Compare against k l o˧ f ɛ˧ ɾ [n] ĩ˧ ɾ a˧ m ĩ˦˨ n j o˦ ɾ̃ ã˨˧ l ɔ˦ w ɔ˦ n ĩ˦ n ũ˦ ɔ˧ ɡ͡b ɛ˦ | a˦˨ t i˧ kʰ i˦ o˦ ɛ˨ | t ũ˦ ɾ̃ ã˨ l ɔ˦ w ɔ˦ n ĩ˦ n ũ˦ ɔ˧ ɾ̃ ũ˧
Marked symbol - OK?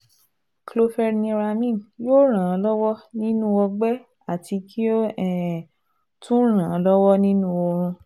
yes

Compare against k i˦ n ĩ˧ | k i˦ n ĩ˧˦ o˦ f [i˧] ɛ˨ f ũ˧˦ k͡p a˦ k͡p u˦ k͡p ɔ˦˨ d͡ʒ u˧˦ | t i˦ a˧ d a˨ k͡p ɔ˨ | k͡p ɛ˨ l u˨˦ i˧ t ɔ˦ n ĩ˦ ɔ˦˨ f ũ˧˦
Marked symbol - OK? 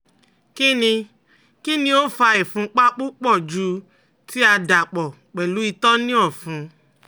no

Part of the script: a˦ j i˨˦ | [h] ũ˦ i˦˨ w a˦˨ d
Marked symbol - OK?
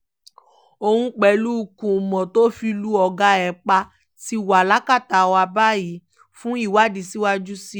no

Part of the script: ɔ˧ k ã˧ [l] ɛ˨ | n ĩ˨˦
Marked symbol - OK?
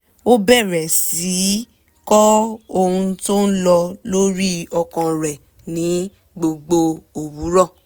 no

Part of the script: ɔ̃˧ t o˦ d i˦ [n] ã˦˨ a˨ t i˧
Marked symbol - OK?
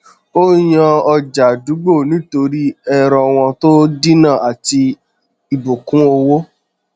yes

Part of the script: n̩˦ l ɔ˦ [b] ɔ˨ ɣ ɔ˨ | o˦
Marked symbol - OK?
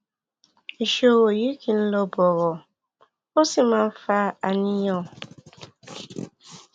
yes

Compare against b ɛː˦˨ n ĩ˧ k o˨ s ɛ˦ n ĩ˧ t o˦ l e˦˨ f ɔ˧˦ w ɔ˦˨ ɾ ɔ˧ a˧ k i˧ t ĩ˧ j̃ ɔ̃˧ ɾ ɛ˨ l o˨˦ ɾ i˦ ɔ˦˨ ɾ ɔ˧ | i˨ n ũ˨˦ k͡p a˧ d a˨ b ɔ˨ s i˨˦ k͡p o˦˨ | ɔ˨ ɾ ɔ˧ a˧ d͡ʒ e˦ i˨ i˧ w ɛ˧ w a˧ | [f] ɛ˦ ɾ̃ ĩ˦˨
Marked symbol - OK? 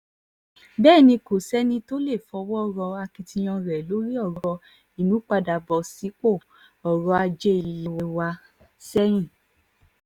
no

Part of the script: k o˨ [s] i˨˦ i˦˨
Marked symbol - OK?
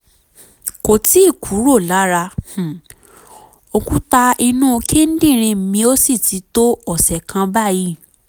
no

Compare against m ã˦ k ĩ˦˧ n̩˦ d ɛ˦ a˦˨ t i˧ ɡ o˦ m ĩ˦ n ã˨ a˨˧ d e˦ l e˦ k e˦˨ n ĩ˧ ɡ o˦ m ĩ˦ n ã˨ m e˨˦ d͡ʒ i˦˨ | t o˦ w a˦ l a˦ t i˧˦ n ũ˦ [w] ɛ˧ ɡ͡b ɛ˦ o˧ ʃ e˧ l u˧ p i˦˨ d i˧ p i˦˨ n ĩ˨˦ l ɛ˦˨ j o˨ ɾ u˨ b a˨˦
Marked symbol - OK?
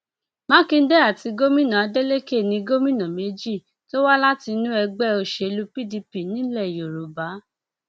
no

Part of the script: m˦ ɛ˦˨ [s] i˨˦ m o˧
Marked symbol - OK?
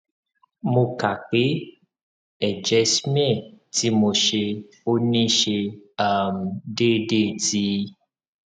no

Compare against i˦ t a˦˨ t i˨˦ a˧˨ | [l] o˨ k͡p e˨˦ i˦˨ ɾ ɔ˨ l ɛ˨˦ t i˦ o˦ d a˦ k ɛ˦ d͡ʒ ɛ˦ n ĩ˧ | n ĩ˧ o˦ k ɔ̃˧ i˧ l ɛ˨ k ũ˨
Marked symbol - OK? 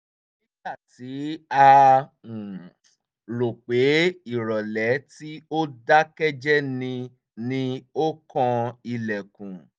no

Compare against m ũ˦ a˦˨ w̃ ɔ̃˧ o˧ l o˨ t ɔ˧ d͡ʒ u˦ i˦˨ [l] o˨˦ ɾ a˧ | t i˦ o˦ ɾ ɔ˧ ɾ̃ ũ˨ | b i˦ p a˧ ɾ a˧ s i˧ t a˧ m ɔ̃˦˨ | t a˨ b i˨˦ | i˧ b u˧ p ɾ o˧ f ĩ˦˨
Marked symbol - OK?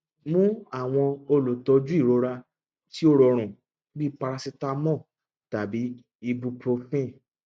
no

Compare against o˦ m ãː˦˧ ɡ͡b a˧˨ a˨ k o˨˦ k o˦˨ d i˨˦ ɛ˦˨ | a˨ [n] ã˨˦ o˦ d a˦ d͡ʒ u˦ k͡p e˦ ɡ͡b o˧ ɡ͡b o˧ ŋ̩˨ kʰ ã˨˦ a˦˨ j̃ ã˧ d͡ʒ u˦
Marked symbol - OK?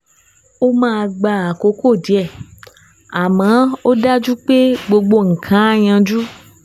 no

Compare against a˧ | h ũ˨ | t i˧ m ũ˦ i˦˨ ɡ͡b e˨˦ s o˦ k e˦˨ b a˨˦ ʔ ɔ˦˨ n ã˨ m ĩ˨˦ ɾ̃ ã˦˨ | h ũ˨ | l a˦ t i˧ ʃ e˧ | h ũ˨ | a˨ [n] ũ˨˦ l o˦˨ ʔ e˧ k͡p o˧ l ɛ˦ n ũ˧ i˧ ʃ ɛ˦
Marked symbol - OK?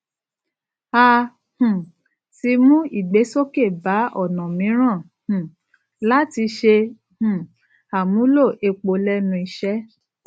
no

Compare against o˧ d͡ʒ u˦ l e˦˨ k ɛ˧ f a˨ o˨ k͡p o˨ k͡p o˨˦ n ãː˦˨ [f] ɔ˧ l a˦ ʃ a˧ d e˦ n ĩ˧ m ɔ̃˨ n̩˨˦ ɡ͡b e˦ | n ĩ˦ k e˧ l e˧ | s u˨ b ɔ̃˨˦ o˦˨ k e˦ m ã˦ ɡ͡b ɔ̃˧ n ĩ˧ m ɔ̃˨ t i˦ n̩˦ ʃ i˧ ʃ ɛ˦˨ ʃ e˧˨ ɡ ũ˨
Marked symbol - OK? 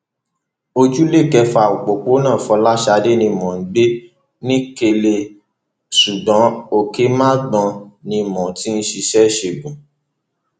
yes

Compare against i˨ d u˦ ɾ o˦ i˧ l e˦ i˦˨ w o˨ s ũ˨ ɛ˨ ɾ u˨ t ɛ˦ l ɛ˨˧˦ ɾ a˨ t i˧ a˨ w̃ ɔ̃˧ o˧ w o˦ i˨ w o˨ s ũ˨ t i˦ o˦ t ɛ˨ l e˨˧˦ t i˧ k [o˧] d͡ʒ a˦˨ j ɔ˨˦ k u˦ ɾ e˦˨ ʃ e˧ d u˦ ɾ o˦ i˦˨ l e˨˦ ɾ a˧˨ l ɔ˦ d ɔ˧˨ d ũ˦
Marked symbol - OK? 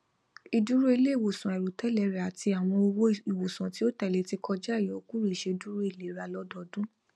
no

